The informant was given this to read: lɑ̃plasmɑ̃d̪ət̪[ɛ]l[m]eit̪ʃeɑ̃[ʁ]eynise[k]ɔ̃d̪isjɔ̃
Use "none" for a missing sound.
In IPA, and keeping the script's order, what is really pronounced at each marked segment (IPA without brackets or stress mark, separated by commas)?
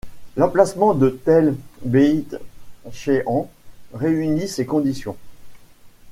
ɛ, b, ʁ, k